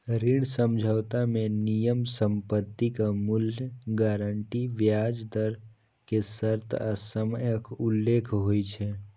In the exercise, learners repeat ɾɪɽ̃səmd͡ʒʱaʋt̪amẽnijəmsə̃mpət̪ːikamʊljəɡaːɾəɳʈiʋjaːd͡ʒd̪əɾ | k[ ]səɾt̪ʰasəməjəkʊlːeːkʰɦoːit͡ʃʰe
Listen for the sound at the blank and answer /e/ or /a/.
e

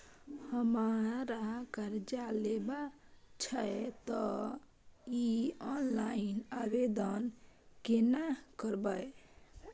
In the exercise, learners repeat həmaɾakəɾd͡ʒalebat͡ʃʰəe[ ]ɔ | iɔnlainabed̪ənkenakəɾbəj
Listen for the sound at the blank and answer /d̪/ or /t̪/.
t̪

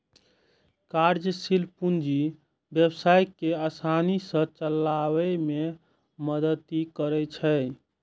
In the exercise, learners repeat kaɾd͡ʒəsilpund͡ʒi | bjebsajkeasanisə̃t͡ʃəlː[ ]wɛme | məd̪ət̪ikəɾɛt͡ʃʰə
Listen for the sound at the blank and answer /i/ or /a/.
a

